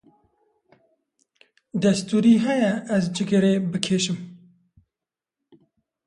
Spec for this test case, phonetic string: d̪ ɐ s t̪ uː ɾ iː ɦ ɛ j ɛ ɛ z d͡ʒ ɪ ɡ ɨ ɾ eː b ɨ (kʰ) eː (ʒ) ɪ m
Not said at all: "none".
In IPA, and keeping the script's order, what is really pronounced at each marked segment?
kʰ, ʃ

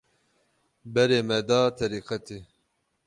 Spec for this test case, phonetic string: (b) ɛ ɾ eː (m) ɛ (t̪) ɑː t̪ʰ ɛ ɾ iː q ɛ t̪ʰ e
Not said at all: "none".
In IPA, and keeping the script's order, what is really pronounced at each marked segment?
b, m, d̪

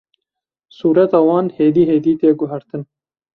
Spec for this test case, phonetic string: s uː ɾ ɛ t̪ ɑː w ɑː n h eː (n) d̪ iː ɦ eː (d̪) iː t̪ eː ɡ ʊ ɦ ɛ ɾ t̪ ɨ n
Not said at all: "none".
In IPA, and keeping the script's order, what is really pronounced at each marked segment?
none, d̪

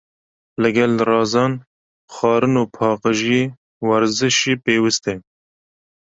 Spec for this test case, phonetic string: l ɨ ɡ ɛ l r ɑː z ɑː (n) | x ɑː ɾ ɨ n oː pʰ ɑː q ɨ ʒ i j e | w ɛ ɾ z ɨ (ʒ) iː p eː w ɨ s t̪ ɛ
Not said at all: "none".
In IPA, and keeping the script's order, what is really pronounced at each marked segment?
n, ʃ

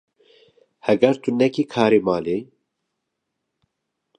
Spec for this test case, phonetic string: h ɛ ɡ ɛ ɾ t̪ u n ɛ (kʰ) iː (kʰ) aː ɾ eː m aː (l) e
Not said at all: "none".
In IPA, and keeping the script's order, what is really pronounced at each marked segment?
k, kʰ, l

